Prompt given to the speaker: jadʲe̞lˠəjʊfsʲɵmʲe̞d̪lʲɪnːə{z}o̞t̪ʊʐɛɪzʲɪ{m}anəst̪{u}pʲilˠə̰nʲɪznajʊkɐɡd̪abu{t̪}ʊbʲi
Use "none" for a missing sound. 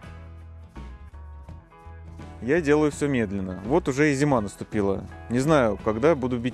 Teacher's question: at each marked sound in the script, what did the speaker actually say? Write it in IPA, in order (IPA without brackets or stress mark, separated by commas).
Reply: v, m, ʊ, d̪